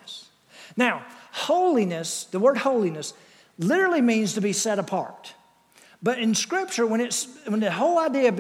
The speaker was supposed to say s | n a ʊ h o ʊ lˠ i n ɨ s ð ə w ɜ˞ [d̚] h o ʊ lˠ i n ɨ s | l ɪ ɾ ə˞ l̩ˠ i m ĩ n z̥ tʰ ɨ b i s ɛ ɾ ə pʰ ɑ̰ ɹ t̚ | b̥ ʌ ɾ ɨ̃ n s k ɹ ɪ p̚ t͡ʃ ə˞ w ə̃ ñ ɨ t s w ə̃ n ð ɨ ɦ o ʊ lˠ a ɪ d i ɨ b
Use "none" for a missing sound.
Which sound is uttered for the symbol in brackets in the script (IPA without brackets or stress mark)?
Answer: d̚